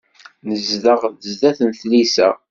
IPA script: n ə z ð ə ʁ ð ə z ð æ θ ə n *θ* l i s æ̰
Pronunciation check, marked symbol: correct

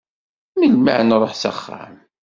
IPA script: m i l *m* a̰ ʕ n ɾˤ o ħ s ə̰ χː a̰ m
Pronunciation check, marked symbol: correct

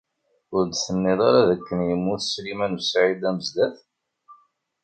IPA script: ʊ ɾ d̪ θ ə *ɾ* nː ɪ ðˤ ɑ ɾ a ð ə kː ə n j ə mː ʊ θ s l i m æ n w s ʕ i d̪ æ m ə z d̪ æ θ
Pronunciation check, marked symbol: incorrect: none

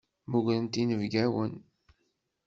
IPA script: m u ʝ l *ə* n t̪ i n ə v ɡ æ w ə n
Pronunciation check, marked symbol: correct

